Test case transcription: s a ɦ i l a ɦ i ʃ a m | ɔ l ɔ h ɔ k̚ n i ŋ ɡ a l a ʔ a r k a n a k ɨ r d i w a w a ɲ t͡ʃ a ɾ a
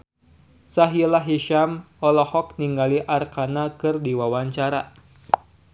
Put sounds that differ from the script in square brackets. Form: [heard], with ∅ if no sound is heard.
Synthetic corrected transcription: s a ɦ i l a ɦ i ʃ a m | ɔ l ɔ h ɔ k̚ n i ŋ ɡ a l [i] ʔ a r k a n a k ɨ r d i w a w a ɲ t͡ʃ a ɾ a